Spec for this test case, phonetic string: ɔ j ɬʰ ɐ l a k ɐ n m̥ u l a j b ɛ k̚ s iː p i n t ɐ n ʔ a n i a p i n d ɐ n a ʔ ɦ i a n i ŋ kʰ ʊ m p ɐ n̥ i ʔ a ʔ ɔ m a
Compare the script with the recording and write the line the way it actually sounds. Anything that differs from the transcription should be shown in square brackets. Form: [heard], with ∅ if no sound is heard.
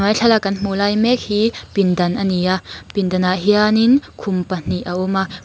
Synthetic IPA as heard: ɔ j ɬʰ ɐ l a k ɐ n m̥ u l a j [m] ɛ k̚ [h] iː p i n [d] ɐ n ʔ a n i a p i n d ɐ n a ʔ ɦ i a n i [n] kʰ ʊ m p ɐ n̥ i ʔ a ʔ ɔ m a